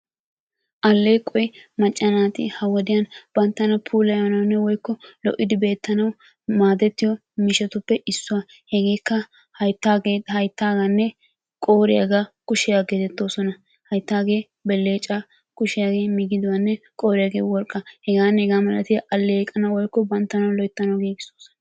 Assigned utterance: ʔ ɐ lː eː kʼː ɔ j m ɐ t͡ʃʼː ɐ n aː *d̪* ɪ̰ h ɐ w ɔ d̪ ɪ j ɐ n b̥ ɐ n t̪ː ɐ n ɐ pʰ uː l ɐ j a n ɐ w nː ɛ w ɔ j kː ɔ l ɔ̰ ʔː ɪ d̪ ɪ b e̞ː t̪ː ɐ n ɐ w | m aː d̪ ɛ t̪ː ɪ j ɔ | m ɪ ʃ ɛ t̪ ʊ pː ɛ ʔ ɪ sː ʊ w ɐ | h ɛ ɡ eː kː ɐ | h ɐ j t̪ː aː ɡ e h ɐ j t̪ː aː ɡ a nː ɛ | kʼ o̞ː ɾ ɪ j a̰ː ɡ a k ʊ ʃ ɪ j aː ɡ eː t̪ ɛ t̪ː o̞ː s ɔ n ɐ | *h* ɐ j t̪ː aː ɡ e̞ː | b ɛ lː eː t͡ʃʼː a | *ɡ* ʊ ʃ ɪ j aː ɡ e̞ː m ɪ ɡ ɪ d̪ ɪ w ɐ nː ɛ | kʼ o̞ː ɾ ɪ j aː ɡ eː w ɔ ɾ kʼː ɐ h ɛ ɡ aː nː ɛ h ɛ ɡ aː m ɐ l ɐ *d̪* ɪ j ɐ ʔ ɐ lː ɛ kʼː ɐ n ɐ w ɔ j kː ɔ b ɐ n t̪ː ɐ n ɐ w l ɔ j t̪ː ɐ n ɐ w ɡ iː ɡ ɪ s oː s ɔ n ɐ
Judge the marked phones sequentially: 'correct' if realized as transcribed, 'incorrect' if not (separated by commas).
incorrect, correct, incorrect, incorrect